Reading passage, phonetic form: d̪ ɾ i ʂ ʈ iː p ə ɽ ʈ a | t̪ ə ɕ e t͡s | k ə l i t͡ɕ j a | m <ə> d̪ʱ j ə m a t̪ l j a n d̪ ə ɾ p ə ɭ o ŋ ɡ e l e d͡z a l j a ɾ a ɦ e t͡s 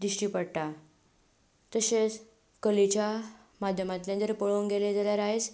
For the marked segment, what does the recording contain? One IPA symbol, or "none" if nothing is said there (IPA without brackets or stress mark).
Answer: a